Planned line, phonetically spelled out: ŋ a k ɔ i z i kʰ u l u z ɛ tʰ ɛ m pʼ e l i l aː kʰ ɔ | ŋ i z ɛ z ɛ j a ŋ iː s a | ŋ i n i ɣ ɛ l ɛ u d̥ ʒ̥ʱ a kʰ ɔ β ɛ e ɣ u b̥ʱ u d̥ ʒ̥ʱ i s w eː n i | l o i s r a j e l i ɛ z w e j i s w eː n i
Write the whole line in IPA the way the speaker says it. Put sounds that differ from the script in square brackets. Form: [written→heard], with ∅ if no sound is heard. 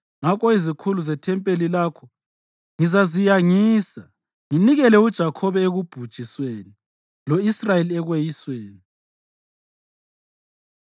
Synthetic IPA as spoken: ŋ a k ɔ i z i kʰ u l u z ɛ tʰ ɛ m pʼ e l i l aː kʰ ɔ | ŋ i z [ɛ→a] z [ɛ→i] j a ŋ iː s a | ŋ i n i ɣ ɛ l ɛ u d̥ ʒ̥ʱ a kʰ ɔ β ɛ e ɣ u b̥ʱ u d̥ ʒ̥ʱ i s w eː n i | l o i s r a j e l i ɛ [z→ɣ] w e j i s w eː n i

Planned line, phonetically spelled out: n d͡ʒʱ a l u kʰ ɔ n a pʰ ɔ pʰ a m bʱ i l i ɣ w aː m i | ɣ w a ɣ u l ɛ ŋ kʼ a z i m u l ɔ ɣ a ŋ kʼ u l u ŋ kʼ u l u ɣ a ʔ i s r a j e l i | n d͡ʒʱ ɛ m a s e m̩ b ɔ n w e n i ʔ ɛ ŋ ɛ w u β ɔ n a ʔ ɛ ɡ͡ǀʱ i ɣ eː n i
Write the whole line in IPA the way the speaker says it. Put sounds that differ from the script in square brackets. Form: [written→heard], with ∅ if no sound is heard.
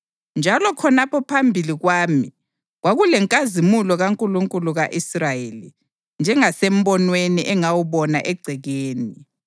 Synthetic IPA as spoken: n d͡ʒʱ a l [u→ɔ] kʰ ɔ n a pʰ ɔ pʰ a m bʱ i l i ɣ w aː m i | ɣ w a ɣ u l ɛ ŋ kʼ a z i m u l ɔ ɣ a ŋ kʼ u l u ŋ kʼ u l u ɣ a ʔ i s r a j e l i | n d͡ʒʱ ɛ [m→ŋ] a s e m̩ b ɔ n w e n i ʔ ɛ ŋ [ɛ→a] w u β ɔ n a ʔ ɛ ɡ͡ǀʱ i ɣ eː n i

